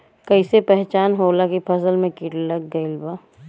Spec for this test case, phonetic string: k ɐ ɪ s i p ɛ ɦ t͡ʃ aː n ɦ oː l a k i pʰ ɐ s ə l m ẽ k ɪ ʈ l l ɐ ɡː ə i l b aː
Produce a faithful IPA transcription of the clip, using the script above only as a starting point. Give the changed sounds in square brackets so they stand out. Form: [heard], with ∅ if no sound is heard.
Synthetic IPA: k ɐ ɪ s [e] p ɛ ɦ t͡ʃ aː n ɦ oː l a k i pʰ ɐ s ə l m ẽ k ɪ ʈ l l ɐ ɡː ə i l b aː